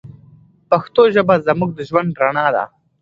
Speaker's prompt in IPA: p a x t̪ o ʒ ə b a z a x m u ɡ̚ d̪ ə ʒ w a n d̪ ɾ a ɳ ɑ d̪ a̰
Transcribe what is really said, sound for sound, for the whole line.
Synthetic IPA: p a x t̪ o ʒ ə b a z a m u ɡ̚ d̪ ə ʒ w a n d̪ ɾ a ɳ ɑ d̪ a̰